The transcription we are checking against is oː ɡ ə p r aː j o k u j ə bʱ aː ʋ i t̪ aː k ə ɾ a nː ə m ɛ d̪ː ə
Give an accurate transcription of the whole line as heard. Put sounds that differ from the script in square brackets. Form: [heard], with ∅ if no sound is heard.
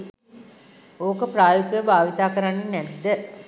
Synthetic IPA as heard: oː [k] ə p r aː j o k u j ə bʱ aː ʋ i t̪ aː k ə ɾ a nː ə [n] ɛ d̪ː ə